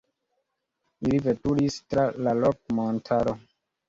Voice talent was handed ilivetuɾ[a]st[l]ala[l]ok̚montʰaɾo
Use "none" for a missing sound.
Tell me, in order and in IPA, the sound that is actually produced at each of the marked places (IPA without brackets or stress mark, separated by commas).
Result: i, ɾ, l